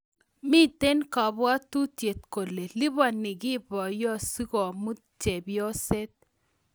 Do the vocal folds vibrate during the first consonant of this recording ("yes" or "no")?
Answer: yes